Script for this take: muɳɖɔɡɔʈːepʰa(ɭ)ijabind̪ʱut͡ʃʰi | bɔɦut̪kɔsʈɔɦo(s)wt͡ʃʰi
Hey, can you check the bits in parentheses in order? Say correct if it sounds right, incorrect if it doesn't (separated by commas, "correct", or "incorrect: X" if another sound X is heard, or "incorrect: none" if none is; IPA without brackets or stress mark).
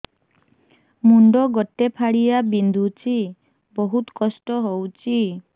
incorrect: ɽ, incorrect: none